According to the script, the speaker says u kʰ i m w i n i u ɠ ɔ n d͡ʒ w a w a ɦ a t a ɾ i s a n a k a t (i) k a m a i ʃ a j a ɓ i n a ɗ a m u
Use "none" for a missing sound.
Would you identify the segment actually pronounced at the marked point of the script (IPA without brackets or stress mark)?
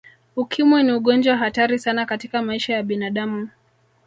i